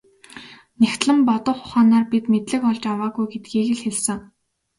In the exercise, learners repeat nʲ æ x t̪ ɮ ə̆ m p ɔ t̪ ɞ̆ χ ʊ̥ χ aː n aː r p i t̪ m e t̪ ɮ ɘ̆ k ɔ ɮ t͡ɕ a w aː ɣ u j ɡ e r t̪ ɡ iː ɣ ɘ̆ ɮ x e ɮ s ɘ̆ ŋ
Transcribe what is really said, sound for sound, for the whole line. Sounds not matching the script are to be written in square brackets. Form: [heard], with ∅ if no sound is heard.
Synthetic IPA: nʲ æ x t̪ ɮ ə̆ m p ɔ t̪ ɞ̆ χ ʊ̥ χ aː n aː r p i t̪ m e t̪ ɮ ɘ̆ k ɔ ɮ t͡ɕ a w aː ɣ u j ɡ e [∅] t̪ ɡ iː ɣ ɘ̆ ɮ x e ɮ s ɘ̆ ŋ